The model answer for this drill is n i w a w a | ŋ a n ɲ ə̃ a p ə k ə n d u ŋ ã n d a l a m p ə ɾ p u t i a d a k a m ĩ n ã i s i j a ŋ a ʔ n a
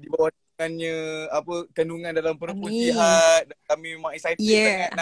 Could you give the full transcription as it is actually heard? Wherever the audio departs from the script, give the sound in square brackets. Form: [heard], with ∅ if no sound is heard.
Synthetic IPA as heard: [d] i [b] a w a | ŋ a n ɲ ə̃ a p ə k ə n d u ŋ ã n d a l a m p ə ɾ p u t i a d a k a m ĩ [m] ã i s [a] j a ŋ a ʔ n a

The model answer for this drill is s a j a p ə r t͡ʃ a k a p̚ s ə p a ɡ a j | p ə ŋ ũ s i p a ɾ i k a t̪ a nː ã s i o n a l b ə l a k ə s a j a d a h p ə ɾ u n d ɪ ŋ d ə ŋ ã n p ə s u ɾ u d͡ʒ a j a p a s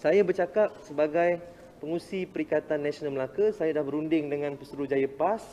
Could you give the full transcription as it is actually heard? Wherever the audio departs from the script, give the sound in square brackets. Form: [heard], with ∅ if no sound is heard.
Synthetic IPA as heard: s a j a [b] ə r t͡ʃ a k a p̚ s ə [b] a ɡ a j | p ə ŋ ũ s i p [ə] ɾ i k a t̪ a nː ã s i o n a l [m] ə l a k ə s a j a d a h [b] ə ɾ u n d ɪ ŋ d ə ŋ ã n p ə s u ɾ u d͡ʒ a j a p a s

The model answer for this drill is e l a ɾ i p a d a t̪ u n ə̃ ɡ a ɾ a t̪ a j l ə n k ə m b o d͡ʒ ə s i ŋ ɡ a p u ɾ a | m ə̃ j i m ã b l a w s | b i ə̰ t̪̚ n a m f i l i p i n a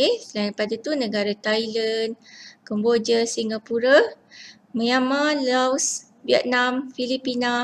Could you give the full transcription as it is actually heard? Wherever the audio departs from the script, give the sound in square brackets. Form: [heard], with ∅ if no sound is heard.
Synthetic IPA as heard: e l a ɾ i p a d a t̪ u n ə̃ ɡ a ɾ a t̪ a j l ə n k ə m b o d͡ʒ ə s i ŋ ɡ a p u ɾ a | m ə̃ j [a] m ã [∅] l a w s | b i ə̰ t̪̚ n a m f i l i p i n a

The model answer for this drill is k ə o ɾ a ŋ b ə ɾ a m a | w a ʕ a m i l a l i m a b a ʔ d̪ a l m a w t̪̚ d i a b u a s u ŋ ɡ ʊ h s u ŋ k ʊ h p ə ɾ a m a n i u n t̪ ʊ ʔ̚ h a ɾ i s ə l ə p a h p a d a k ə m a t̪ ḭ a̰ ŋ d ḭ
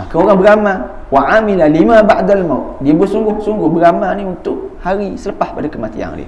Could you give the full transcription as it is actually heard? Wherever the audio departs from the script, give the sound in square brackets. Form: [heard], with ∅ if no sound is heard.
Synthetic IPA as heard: k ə o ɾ a ŋ b ə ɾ a m a | w a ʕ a m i l a l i m a b a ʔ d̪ a l m a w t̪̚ d i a b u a s u ŋ ɡ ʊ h s u ŋ [ɡ] ʊ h [b] ə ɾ a m a n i u n t̪ ʊ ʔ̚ h a ɾ i s ə l ə p a h p a d a k ə m a t̪ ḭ a̰ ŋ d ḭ

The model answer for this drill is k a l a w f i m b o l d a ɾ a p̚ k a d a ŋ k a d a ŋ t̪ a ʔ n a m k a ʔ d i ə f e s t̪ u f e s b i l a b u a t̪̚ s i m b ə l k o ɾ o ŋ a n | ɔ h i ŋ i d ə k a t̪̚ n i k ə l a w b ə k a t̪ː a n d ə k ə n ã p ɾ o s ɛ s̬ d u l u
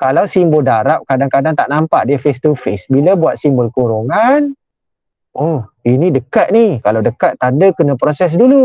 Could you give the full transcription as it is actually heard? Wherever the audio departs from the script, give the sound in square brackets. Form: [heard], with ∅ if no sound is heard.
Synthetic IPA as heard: k a l a w [s] i m b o l d a ɾ a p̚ k a d a ŋ k a d a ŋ t̪ a ʔ n a m [p] a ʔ d i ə f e s t̪ u f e s b i l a b u a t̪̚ s i m b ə l k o ɾ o ŋ a n | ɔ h i [n] i d ə k a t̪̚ n i k [a] l a w [d] ə k a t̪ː a n d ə k ə n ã p ɾ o s ɛ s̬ d u l u

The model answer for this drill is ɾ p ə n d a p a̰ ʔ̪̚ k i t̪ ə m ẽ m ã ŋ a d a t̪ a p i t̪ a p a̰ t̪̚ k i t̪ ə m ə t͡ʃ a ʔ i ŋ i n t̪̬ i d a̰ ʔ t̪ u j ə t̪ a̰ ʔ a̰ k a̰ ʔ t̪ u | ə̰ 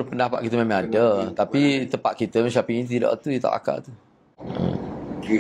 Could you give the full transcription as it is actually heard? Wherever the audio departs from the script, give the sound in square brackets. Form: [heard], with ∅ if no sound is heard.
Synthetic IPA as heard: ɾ p ə n d a p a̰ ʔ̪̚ k i t̪ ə m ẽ m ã ŋ a d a t̪ a p i t̪ [ə] p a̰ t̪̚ k i t̪ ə m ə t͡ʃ a [p] i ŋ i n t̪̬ i d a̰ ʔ t̪ u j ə t̪ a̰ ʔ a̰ k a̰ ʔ t̪ u | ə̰

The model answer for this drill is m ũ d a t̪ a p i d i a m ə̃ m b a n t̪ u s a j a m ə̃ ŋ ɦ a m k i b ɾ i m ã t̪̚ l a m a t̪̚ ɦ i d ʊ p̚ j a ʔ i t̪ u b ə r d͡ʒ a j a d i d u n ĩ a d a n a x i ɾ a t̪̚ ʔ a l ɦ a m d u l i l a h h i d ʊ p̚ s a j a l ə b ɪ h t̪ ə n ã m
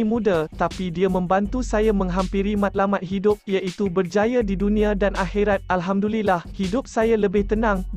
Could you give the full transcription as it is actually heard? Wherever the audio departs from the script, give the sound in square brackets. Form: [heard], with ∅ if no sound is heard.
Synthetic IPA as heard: m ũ d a t̪ a p i d i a m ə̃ m b a n t̪ u s a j a m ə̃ ŋ ɦ a m [p] i [∅] ɾ i m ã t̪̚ l a m a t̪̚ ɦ i d ʊ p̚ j a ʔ i t̪ u b ə r d͡ʒ a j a d i d u n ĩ a d a n a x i ɾ a t̪̚ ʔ a l ɦ a m d u l i l a h h i d ʊ p̚ s a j a l ə b ɪ h t̪ ə n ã [ŋ]

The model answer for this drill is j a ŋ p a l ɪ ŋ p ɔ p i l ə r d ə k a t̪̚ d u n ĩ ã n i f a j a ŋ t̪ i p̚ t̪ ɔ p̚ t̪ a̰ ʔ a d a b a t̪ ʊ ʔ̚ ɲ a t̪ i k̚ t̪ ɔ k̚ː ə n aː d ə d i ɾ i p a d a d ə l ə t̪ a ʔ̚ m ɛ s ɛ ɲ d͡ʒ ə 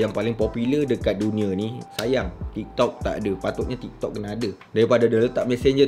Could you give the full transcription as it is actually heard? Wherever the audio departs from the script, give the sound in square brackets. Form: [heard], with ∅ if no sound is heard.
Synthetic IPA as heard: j a ŋ p a l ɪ ŋ p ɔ p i l ə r d ə k a t̪̚ d u n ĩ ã n i [s] a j a ŋ t̪ i [k̚] t̪ ɔ [k̚] t̪ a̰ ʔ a d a [p] a t̪ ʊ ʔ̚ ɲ a t̪ i k̚ t̪ ɔ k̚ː ə n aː d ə d [a] ɾ i p a d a d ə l ə t̪ a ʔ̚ m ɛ s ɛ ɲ d͡ʒ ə

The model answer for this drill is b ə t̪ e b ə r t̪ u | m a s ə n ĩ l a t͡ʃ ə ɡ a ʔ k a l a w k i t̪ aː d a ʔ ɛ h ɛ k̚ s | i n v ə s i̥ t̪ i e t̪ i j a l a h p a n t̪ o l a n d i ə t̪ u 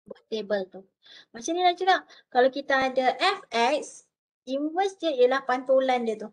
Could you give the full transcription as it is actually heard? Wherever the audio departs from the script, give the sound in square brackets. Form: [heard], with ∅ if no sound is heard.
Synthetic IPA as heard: b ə t̪ e b ə [l] t̪ u | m a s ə n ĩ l a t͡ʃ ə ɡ a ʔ k a l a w k i t̪ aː d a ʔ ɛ [f] ɛ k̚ s | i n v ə s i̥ t̪ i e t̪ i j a l a h p a n t̪ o l a n d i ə t̪ u

